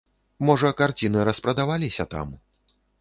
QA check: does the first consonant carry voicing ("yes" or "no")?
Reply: yes